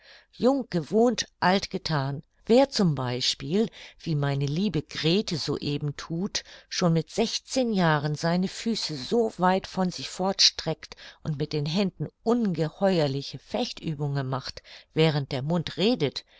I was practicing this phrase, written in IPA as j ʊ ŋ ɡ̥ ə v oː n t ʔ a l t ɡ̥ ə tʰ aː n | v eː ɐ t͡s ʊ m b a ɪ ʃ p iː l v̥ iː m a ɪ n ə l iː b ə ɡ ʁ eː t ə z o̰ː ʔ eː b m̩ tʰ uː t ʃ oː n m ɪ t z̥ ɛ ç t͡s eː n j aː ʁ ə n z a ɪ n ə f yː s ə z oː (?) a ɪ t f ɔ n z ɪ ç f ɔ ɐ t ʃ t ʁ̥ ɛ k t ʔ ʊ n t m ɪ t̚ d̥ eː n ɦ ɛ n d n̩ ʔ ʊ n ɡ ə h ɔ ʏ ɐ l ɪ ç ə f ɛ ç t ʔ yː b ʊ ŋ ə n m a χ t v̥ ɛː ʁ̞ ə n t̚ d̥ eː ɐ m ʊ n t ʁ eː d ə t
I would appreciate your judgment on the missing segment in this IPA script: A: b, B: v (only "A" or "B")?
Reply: B